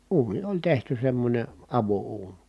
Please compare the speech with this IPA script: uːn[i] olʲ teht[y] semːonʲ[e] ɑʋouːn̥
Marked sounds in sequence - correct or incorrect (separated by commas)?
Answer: correct, correct, correct